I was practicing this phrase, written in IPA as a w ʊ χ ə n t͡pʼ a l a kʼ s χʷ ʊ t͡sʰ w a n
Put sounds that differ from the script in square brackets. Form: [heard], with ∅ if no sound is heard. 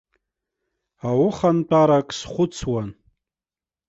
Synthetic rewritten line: a w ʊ χ [a] n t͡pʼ a [ɾ] a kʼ s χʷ ʊ t͡sʰ w a n